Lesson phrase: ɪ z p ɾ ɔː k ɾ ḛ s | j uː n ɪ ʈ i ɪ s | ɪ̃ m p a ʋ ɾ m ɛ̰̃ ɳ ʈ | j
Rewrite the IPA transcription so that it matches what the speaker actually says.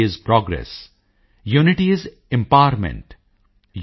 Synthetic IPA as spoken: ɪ z p ɾ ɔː ɡ ɾ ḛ s | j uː n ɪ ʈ i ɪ z | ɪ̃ m p a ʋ ɾ m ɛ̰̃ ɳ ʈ | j